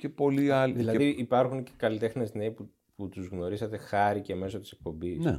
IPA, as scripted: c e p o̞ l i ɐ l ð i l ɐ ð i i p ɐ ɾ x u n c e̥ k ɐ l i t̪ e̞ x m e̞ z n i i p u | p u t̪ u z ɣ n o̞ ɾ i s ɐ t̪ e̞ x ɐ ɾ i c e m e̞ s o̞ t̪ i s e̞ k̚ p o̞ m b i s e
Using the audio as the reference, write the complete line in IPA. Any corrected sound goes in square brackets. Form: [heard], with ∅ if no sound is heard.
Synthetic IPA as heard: c e p o̞ l i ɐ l ð i l ɐ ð i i p ɐ ɾ x u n c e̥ k ɐ l i t̪ e̞ x [n] e̞ z n [e] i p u | p u t̪ u z ɣ n o̞ ɾ i s ɐ t̪ e̞ x ɐ ɾ i c e m e̞ s o̞ t̪ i s e̞ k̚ p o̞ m b i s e